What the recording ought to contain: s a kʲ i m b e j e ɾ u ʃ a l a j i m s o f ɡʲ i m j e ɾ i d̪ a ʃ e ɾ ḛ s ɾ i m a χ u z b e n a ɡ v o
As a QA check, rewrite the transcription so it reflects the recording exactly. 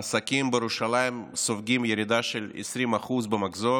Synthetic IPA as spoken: s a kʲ i m b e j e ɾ u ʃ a l a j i m s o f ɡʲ i m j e ɾ i d̪ a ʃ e l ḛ s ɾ i m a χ u z b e m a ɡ z o